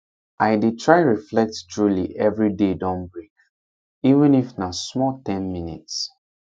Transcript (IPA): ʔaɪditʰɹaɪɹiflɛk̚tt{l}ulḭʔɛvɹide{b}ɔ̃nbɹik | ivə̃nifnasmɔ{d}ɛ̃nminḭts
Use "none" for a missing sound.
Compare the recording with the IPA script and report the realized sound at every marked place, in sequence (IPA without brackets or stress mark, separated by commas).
ɹ, d, t